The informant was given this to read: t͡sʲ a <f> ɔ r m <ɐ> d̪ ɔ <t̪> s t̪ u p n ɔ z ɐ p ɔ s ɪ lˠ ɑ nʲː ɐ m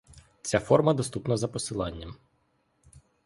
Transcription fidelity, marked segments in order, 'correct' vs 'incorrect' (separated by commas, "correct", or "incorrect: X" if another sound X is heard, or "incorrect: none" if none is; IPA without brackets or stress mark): correct, correct, incorrect: none